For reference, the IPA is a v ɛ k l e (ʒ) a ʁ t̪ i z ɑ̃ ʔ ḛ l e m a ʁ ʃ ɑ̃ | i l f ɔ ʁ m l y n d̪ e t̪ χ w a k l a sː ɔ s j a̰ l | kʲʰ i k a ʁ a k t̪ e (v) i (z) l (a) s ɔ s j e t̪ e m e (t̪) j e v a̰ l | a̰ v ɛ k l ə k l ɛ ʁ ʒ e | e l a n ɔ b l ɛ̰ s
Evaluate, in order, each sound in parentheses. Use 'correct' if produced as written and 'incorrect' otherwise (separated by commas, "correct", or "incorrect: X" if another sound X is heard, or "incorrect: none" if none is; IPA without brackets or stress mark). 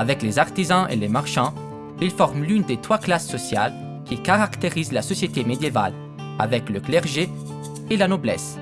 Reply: incorrect: z, incorrect: ʁ, correct, correct, incorrect: d̪